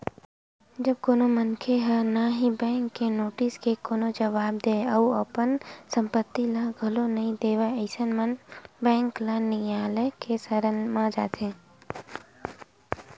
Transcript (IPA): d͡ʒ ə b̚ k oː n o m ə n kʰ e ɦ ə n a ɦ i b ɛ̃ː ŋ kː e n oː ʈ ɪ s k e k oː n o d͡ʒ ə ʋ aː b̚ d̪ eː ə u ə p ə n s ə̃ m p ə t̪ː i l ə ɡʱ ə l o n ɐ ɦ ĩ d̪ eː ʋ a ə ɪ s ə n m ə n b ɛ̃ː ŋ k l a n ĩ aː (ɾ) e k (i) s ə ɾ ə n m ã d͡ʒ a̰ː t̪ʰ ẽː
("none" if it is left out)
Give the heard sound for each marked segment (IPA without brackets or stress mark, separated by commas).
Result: l, e